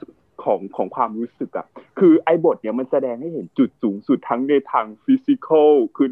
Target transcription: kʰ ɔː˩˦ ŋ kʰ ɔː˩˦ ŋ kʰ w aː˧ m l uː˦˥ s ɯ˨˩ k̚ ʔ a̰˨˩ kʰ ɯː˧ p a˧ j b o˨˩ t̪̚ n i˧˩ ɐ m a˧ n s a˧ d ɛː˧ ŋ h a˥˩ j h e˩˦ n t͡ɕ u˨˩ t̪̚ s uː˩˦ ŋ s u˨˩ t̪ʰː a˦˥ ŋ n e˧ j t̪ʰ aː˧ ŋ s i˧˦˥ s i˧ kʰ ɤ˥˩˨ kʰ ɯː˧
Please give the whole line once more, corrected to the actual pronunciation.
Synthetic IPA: kʰ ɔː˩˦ ŋ kʰ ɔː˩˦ ŋ kʰ w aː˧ m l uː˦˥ s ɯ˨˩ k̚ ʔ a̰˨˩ kʰ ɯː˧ ʔ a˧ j b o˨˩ t̪̚ n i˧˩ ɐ m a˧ n s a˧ d ɛː˧ ŋ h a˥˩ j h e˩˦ n t͡ɕ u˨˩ t̪̚ s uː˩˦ ŋ s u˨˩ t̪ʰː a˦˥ ŋ n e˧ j t̪ʰ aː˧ ŋ f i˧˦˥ s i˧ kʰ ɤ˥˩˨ kʰ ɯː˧